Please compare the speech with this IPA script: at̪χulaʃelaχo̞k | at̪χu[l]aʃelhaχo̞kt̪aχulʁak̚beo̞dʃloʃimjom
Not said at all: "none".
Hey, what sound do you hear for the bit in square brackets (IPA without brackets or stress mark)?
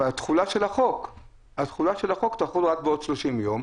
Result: l